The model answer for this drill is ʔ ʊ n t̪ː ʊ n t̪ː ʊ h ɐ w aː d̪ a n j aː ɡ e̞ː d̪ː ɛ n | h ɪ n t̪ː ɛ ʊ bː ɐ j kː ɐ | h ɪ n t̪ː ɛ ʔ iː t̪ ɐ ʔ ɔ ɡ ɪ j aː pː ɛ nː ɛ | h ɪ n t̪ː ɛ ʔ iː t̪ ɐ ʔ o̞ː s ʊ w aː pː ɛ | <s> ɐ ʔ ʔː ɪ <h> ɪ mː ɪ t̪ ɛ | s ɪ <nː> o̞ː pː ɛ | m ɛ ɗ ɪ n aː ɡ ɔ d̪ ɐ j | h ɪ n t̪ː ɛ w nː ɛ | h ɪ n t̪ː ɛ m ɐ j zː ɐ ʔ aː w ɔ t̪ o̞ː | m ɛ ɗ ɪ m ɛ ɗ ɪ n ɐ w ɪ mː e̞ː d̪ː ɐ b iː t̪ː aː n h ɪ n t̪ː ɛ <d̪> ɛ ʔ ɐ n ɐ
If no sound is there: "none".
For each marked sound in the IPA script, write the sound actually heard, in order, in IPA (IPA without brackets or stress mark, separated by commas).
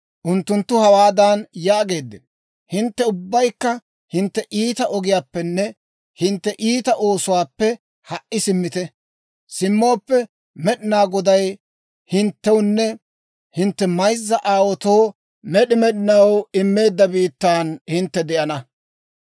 h, s, mː, d̪